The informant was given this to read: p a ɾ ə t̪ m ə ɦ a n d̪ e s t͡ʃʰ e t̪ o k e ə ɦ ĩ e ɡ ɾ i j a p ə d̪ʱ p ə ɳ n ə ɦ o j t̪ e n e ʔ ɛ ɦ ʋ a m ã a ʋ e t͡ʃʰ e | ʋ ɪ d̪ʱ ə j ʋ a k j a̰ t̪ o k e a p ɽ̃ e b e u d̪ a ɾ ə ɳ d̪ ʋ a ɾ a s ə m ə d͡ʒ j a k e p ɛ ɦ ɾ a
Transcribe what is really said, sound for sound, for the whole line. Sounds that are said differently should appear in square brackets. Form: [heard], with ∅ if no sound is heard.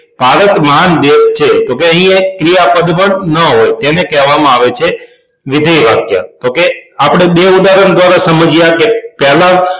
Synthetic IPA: p a ɾ ə t̪ m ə ɦ a n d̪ e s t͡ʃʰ e t̪ o k e ə ɦ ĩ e [k] ɾ i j a p ə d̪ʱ p ə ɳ n ə ɦ o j t̪ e n e [k] ɛ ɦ ʋ a m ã a ʋ e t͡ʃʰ e | ʋ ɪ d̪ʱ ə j ʋ a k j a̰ t̪ o k e a p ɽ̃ e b e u d̪ a ɾ ə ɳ d̪ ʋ a ɾ a s ə m ə d͡ʒ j a k e p ɛ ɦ [l] a